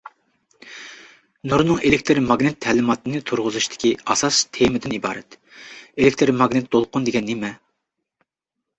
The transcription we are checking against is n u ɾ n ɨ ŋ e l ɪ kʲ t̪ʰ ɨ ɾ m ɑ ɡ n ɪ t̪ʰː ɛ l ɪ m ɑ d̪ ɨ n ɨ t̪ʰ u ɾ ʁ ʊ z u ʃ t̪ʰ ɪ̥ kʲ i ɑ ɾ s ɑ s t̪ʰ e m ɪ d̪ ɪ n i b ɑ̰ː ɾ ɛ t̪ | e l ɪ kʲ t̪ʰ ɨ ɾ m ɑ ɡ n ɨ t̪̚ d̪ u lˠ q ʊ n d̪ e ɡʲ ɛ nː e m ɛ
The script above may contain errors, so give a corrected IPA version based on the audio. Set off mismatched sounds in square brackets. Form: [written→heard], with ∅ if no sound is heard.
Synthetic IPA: n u ɾ n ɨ ŋ e l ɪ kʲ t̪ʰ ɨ ɾ m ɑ ɡ n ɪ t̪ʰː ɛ l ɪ m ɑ [d̪→t̪] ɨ n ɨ t̪ʰ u ɾ ʁ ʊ z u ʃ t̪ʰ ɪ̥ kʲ i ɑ [ɾ→∅] s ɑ s t̪ʰ e m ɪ d̪ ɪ n i b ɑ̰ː ɾ ɛ t̪ | e l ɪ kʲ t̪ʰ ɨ ɾ m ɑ ɡ n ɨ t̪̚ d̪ [u→o] lˠ q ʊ n d̪ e ɡʲ ɛ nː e m ɛ